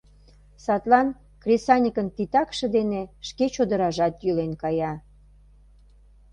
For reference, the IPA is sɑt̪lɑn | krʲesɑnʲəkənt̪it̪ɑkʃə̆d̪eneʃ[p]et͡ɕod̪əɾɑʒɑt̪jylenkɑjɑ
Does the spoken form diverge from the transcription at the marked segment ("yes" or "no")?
yes